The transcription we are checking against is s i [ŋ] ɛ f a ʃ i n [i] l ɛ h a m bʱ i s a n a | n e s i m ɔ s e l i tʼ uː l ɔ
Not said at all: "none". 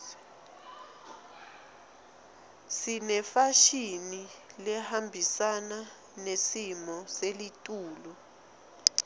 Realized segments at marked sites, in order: n, i

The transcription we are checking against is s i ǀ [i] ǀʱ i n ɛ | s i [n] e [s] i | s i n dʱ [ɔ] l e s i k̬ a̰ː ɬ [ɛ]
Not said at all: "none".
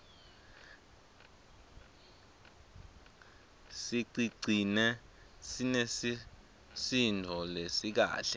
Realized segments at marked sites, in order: i, n, s, ɔ, ɛ

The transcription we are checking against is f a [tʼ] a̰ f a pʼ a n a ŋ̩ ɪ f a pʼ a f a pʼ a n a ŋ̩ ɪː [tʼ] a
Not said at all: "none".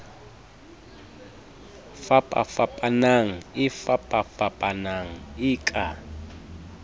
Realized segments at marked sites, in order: pʼ, kʼ

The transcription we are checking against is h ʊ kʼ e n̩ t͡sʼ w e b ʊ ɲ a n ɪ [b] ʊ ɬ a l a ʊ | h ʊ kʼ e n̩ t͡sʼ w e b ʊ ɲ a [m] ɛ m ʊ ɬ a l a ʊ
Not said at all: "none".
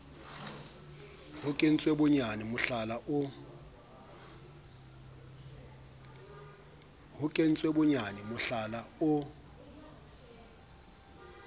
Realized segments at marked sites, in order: m, n

